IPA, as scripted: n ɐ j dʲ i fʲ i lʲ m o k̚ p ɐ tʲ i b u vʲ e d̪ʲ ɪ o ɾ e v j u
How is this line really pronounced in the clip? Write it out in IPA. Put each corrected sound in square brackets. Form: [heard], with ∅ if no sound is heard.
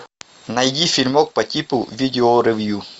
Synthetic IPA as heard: n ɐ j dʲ i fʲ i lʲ m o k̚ p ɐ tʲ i [p] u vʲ [i] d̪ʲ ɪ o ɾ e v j u